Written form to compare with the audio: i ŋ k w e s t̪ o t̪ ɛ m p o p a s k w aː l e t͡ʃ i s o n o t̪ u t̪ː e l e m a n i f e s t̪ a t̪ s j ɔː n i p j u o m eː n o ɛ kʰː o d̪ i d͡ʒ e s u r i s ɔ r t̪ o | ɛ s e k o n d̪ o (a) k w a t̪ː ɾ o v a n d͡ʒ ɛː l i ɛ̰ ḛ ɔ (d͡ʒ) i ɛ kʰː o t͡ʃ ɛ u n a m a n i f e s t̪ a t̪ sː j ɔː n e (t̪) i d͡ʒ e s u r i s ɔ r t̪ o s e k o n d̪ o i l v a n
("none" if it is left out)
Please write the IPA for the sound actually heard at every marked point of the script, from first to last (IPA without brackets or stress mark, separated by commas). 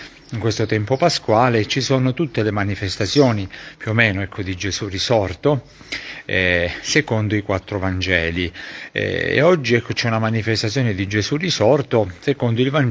i, d͡ʒː, d̪